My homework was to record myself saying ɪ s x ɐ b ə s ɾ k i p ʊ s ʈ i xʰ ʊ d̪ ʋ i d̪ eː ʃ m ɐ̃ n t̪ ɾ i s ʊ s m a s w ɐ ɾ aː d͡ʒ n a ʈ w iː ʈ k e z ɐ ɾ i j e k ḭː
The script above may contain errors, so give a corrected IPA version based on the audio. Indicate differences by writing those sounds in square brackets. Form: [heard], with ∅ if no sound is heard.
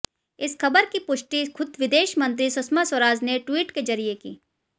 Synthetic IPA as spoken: ɪ s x ɐ b ə [∅] ɾ k i p ʊ [ʃ] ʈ i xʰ ʊ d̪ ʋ [ɪ] d̪ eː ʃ m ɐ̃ n t̪ ɾ i s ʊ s m a s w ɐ ɾ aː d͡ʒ n [e] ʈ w iː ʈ k e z ɐ ɾ i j e k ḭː